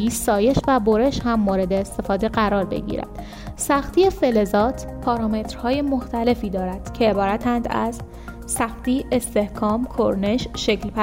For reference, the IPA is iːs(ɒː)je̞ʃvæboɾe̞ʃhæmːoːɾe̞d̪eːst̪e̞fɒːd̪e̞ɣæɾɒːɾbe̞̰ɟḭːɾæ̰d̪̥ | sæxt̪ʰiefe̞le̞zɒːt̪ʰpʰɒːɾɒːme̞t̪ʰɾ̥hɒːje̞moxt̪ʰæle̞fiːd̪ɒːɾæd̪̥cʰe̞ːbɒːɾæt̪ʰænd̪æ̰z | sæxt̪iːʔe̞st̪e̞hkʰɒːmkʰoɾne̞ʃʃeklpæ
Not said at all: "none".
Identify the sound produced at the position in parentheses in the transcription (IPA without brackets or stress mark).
ɒː